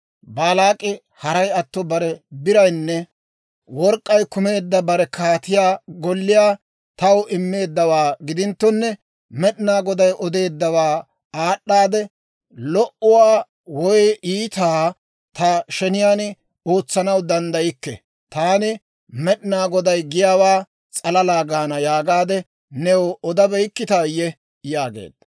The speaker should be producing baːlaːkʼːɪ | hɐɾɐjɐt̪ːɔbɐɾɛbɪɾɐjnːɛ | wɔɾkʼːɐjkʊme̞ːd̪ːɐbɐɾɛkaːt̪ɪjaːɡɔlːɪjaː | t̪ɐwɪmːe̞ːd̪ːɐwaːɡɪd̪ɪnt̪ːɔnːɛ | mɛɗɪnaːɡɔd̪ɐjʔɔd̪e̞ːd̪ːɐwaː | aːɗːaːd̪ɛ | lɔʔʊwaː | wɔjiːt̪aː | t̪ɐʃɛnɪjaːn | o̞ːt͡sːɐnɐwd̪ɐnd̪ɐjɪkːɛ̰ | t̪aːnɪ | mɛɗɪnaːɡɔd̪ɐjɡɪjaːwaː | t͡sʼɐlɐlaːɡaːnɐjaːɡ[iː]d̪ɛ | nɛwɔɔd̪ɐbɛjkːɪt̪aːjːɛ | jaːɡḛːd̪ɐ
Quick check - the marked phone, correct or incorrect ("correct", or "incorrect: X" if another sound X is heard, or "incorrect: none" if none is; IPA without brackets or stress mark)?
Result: incorrect: aː